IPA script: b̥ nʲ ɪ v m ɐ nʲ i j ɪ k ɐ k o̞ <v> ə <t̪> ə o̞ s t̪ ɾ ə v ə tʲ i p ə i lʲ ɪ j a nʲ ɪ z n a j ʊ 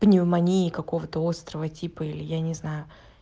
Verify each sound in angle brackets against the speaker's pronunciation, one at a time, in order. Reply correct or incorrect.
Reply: correct, correct

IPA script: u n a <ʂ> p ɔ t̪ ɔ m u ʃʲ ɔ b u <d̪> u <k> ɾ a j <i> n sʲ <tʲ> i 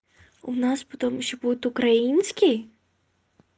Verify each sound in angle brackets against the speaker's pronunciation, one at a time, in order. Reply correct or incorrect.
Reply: incorrect: s, incorrect: t̪, correct, correct, incorrect: kʲ

